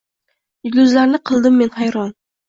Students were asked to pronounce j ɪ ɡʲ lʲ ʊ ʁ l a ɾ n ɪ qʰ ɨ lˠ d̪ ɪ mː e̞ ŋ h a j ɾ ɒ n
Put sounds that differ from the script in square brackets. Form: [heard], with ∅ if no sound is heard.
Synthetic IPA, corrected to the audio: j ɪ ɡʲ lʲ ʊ [z] l a ɾ n ɪ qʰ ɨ lˠ d̪ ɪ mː e̞ [n] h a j ɾ ɒ n